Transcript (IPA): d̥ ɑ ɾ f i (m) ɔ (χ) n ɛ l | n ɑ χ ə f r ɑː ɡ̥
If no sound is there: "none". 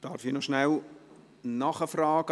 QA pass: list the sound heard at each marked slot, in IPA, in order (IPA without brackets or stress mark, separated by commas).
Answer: n, ʃ